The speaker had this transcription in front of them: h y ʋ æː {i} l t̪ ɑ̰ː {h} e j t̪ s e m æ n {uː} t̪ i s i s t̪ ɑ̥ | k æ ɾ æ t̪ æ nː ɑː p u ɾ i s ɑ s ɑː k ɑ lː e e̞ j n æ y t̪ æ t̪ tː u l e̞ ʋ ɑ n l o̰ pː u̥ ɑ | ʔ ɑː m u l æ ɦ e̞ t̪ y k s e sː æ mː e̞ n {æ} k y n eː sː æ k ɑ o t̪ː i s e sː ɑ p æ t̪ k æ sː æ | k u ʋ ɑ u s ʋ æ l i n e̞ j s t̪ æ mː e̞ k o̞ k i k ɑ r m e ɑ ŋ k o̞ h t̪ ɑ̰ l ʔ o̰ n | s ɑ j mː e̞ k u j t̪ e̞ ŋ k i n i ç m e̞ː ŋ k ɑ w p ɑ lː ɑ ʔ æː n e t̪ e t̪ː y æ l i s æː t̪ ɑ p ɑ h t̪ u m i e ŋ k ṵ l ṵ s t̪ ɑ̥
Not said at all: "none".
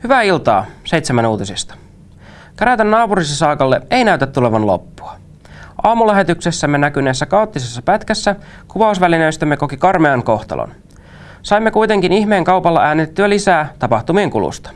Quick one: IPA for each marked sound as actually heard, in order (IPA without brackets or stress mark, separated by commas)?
i, s, uː, æ